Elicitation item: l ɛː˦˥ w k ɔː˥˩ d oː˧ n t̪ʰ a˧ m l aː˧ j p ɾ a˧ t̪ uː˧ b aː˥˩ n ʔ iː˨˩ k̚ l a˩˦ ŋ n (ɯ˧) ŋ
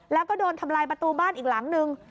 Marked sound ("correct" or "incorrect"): correct